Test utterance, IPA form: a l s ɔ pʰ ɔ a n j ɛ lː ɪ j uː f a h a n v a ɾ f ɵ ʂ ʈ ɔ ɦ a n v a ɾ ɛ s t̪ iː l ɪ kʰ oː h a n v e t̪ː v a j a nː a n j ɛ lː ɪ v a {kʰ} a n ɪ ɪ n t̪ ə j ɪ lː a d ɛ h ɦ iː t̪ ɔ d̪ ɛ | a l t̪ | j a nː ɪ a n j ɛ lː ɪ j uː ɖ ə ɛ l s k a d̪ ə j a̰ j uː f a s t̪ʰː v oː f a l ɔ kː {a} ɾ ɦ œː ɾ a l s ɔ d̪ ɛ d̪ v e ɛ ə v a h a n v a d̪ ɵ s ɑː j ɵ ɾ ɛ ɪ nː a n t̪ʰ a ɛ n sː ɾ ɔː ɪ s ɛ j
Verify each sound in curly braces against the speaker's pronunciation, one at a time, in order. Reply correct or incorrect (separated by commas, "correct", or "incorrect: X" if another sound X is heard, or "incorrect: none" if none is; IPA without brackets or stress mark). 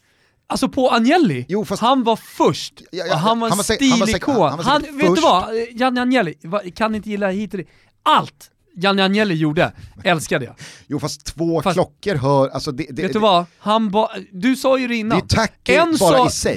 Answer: correct, incorrect: ə